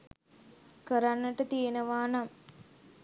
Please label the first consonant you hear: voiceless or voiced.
voiceless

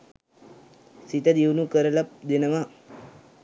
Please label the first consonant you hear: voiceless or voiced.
voiceless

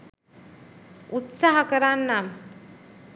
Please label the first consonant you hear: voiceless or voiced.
voiceless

